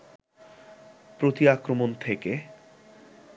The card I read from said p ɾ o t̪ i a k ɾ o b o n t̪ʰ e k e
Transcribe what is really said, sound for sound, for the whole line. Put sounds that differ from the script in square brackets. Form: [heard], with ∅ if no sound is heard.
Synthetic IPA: p ɾ o t̪ i a k ɾ o [m] o n t̪ʰ e k e